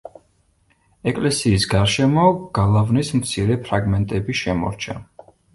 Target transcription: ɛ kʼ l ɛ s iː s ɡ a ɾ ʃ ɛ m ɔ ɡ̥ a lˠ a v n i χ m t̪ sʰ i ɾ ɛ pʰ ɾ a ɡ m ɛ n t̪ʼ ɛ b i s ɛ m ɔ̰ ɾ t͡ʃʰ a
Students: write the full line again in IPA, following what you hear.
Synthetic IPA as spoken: ɛ kʼ l ɛ s iː s ɡ a ɾ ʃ ɛ m ɔ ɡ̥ a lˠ a v n i s m t̪ sʰ i ɾ ɛ pʰ ɾ a ɡ m ɛ n t̪ʼ ɛ b i ʃ ɛ m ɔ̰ ɾ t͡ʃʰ a